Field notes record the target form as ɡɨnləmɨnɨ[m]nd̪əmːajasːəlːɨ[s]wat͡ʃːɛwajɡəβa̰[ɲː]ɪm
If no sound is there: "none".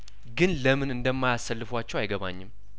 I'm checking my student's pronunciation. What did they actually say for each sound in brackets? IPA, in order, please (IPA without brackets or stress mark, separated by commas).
none, f, ɲː